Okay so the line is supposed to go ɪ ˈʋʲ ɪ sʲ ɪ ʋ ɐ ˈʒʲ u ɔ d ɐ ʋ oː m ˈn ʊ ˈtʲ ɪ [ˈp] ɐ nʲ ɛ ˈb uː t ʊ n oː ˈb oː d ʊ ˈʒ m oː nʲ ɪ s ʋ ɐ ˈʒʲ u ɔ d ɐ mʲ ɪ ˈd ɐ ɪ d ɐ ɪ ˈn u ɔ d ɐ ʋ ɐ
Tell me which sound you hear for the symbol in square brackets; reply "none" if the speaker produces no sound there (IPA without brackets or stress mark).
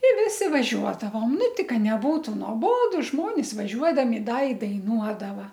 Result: k